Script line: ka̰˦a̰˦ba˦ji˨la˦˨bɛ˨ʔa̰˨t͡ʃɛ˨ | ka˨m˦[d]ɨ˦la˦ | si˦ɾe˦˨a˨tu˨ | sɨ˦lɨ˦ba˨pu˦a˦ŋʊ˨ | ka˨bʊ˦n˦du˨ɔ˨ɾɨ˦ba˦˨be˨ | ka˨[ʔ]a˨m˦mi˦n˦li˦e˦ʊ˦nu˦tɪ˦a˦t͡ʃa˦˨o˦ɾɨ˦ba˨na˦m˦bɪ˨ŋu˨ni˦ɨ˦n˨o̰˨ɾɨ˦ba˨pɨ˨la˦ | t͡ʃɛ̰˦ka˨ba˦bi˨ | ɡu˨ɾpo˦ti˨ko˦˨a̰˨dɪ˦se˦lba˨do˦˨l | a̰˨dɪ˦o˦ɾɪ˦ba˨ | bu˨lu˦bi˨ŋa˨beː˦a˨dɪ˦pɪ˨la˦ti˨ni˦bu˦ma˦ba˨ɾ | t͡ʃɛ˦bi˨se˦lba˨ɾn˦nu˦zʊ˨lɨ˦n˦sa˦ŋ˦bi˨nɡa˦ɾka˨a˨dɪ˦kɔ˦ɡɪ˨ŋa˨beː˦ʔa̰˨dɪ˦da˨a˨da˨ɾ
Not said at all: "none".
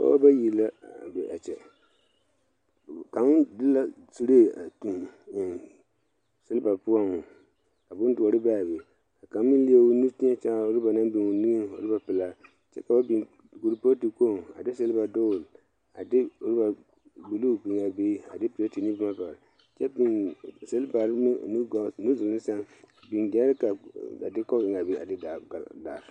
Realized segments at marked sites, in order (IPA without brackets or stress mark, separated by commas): d, k